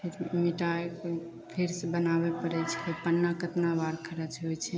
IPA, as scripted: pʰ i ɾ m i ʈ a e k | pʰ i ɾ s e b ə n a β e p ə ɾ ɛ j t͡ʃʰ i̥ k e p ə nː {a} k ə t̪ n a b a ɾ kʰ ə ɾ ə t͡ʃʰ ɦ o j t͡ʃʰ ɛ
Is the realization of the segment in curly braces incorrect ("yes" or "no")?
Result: no